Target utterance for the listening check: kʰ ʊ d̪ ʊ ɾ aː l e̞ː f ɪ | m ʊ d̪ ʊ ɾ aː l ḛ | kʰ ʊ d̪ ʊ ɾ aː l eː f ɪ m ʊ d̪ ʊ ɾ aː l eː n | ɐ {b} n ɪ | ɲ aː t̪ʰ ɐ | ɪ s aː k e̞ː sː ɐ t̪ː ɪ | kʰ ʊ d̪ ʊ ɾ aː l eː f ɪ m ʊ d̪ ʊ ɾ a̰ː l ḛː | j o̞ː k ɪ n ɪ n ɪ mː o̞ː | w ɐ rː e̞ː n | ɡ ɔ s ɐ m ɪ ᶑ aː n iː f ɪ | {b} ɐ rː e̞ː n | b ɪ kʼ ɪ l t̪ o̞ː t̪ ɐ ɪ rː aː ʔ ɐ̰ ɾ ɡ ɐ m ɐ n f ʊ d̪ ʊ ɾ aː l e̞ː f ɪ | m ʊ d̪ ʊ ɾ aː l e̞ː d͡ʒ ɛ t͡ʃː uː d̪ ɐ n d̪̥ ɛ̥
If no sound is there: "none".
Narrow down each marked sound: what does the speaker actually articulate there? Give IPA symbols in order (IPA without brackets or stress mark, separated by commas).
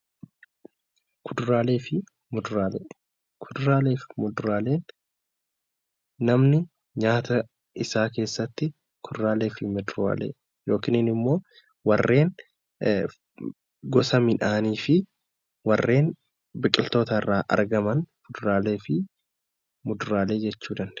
m, w